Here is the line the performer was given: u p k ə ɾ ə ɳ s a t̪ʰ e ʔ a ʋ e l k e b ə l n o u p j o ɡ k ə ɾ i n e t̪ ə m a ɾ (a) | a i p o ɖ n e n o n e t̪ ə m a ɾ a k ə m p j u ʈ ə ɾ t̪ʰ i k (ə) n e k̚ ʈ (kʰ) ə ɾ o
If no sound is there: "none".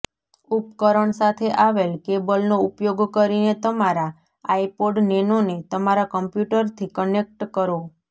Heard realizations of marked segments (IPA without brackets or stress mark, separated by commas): a, ə, k